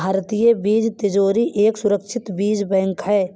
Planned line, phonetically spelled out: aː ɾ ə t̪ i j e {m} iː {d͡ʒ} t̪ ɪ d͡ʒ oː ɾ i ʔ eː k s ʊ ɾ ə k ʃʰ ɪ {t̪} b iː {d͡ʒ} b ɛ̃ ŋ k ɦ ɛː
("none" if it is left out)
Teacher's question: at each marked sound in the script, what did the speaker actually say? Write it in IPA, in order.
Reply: b, d͡ʒ, t̪, d͡ʒ

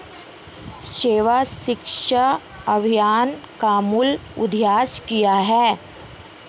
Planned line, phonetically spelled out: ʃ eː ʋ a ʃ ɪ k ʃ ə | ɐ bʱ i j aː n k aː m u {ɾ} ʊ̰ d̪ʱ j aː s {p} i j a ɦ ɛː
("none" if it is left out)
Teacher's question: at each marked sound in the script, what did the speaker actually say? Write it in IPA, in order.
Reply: l, k

